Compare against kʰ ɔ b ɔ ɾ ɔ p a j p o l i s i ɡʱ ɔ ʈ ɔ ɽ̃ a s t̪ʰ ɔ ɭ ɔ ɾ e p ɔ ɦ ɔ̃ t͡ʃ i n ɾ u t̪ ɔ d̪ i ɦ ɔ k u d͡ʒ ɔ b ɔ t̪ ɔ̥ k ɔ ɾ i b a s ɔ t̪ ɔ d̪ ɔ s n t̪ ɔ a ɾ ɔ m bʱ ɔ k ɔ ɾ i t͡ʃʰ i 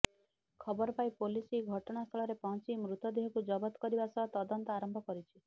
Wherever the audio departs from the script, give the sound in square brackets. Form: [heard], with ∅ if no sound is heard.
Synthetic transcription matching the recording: kʰ ɔ b ɔ ɾ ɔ p a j p o l i s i ɡʱ ɔ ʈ ɔ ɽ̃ a s t̪ʰ ɔ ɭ ɔ ɾ e p ɔ ɦ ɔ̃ t͡ʃ i [m] ɾ u t̪ ɔ d̪ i ɦ ɔ k u d͡ʒ ɔ b ɔ t̪ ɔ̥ k ɔ ɾ i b a s ɔ t̪ ɔ d̪ ɔ [∅] n t̪ ɔ a ɾ ɔ m bʱ ɔ k ɔ ɾ i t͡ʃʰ i